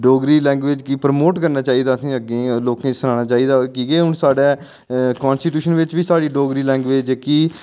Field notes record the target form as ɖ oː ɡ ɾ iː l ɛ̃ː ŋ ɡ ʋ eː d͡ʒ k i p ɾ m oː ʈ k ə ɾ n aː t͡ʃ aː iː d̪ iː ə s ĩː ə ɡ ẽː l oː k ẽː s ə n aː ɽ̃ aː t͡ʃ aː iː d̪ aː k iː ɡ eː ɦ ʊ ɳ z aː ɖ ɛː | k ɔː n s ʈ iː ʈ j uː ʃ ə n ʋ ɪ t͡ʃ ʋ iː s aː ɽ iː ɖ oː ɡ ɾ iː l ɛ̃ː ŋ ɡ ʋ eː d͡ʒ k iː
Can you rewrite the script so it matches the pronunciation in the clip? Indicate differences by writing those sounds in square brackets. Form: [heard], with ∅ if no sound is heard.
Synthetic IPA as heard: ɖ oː ɡ ɾ iː l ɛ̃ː ŋ ɡ ʋ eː d͡ʒ k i p ɾ m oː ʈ k ə ɾ n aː t͡ʃ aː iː d̪ [aː] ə s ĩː ə ɡ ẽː l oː k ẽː s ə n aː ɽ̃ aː t͡ʃ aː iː d̪ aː k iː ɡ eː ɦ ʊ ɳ [s] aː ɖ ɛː | k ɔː n s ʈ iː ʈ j uː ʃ ə n ʋ ɪ t͡ʃ ʋ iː s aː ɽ iː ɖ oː ɡ ɾ iː l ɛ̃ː ŋ ɡ ʋ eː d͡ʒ k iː